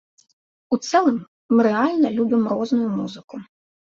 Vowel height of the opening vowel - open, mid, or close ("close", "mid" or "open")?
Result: close